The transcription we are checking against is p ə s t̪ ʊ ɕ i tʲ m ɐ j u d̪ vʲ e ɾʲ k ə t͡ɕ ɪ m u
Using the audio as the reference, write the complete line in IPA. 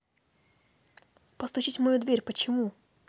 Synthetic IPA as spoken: p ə s t̪ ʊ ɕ i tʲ m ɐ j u d̪ vʲ e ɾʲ p ə t͡ɕ ɪ m u